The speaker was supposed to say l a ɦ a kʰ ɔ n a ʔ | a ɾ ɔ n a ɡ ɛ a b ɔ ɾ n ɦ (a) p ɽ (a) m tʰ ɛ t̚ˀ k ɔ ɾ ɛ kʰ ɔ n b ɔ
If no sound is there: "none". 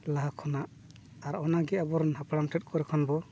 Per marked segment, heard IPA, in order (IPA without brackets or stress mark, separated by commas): a, a